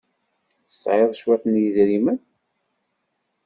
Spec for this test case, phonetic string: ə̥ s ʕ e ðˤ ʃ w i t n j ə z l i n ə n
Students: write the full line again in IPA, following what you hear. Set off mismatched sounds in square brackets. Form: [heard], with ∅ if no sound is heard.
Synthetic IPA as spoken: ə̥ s ʕ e ðˤ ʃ w [æ] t n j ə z [ɾ] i [m] ə n